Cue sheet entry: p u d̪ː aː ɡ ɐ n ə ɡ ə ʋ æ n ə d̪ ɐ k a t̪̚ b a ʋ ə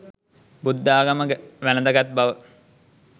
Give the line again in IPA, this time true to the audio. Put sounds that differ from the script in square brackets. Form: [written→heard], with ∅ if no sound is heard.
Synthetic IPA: [p→b] u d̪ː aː ɡ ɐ [n→m] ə ɡ ə ʋ æ n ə d̪ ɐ [k→ɡ] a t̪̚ b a ʋ ə